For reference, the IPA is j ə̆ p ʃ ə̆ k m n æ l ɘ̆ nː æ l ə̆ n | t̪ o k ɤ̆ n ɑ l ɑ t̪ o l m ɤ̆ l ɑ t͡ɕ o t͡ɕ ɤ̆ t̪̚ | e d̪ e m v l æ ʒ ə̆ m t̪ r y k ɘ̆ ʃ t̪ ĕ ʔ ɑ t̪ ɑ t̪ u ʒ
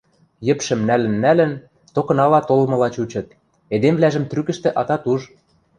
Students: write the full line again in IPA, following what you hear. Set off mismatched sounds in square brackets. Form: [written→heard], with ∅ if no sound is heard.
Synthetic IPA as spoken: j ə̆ p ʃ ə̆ [k→∅] m n æ l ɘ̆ nː æ l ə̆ n | t̪ o k ɤ̆ n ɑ l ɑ t̪ o l m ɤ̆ l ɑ t͡ɕ [o→u] t͡ɕ ɤ̆ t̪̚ | e d̪ e m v l æ ʒ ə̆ m t̪ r y k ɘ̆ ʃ t̪ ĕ ʔ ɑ t̪ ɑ t̪ u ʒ